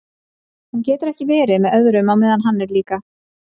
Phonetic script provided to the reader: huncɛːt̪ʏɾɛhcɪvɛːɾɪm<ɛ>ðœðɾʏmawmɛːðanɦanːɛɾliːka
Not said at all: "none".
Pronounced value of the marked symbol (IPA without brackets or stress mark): ɛ